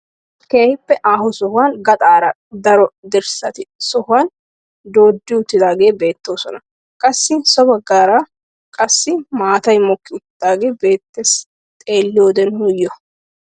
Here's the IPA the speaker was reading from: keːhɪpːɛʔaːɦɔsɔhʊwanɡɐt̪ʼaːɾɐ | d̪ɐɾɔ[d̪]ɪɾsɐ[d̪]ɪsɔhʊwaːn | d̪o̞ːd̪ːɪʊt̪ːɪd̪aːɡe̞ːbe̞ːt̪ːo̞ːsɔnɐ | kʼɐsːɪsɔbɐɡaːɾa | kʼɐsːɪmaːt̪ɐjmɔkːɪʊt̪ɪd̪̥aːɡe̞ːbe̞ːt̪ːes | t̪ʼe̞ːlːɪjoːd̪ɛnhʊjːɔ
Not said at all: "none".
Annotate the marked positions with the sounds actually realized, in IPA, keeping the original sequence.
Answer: d̪, t̪

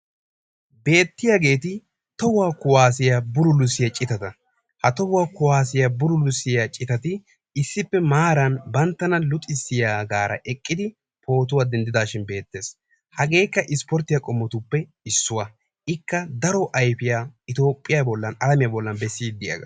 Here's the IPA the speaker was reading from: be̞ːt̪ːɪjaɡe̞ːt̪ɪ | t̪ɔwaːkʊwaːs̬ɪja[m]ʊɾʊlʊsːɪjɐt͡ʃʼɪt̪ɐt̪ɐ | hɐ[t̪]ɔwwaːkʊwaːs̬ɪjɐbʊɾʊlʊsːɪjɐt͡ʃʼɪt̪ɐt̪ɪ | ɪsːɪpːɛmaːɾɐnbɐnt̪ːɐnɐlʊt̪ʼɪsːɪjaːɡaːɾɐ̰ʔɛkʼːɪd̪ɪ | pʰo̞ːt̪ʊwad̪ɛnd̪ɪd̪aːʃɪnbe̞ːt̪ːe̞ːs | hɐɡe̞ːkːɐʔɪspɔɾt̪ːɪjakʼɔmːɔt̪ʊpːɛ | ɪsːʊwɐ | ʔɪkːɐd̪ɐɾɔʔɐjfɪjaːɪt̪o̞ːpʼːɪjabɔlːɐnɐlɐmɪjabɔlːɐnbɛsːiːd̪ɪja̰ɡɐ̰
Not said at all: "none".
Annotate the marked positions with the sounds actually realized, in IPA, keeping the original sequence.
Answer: b, t̪

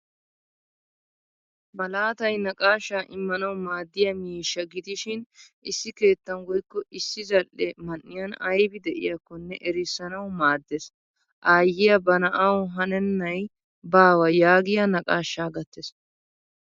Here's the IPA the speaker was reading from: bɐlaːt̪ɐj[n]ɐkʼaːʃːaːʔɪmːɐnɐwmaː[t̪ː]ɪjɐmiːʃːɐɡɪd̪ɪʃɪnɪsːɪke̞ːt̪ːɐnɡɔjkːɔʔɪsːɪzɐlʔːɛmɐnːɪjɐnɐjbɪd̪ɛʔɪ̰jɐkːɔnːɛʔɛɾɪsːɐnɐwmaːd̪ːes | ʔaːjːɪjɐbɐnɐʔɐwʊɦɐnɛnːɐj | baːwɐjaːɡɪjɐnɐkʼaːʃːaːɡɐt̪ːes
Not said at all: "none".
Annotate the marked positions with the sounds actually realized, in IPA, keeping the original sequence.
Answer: n, d̪ː

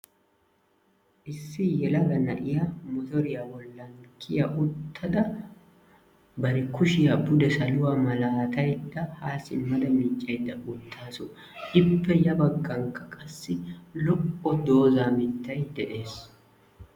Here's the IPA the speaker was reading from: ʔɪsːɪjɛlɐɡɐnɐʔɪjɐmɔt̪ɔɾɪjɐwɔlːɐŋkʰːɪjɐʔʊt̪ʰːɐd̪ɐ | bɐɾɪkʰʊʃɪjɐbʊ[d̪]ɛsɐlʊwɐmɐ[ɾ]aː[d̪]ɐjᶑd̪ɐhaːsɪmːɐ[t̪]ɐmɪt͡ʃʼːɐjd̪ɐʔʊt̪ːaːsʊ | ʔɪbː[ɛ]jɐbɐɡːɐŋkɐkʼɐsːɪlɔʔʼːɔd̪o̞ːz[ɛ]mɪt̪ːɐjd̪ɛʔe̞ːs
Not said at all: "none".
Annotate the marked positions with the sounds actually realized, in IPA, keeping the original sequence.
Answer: d̪, l, t̪, d̪, ɛ, a

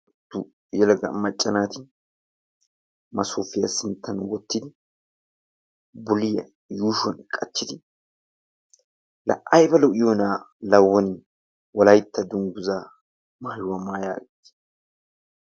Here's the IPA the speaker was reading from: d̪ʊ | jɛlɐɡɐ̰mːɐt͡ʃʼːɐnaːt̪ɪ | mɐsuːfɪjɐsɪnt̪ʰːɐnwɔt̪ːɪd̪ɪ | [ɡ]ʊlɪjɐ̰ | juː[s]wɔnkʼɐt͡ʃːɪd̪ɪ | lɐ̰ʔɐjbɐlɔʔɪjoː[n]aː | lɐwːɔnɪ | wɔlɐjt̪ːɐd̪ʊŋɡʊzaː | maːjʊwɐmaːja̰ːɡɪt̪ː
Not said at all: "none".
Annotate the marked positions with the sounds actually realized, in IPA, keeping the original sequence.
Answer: b, ʃ, n

